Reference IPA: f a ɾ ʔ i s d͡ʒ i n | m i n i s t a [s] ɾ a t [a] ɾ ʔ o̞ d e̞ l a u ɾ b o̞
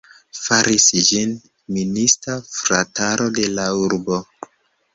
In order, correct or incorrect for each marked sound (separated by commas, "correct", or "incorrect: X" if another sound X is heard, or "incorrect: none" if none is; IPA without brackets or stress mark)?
incorrect: f, correct